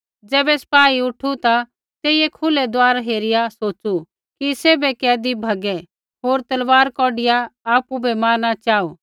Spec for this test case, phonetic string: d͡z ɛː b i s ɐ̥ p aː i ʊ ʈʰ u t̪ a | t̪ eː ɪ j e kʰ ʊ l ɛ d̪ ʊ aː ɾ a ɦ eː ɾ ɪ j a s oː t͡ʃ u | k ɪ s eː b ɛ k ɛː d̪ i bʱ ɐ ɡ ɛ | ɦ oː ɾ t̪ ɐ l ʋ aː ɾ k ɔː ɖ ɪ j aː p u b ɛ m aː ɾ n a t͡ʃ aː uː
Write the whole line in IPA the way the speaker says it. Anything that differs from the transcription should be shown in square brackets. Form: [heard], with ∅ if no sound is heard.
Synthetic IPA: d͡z ɛː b [ɛ] s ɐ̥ p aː i ʊ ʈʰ u t̪ a | t̪ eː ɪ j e kʰ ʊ l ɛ d̪ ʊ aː ɾ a ɦ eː ɾ ɪ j a s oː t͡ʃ u | k [i] s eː b ɛ k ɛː d̪ i bʱ ɐ ɡ ɛ | ɦ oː ɾ t̪ ɐ l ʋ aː ɾ k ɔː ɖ ɪ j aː p u b ɛ m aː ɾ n a t͡ʃ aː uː